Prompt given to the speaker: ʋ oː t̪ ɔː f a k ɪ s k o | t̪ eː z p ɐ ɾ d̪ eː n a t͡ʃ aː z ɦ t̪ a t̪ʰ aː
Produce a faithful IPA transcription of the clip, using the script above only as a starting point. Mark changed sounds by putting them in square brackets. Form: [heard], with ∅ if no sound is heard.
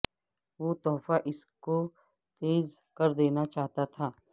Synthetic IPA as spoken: ʋ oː t̪ ɔː f a [ʔ] ɪ s k o | t̪ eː z [k] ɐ ɾ d̪ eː n a t͡ʃ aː [∅] ɦ t̪ a t̪ʰ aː